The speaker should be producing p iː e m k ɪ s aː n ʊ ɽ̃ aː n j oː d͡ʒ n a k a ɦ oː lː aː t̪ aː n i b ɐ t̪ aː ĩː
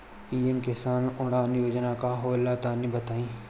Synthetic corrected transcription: p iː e m k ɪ s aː n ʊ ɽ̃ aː n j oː d͡ʒ n a k a ɦ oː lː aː t̪ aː n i b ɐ t̪ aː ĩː